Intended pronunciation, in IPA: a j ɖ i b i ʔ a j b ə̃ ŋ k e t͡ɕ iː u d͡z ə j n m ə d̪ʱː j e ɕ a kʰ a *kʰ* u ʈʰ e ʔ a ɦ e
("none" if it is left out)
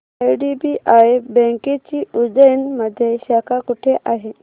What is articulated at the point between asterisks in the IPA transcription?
k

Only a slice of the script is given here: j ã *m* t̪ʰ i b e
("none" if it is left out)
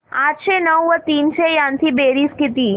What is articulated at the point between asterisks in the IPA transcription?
n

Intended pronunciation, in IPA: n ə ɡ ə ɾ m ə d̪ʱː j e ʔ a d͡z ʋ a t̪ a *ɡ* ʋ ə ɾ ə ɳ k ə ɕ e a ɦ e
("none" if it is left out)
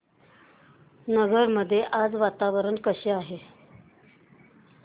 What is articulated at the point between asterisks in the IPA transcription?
none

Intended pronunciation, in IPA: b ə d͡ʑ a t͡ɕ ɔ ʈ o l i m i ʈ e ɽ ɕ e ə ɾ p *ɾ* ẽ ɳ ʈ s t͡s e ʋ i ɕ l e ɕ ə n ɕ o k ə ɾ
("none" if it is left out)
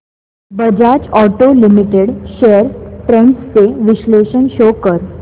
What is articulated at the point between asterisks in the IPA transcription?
ɾ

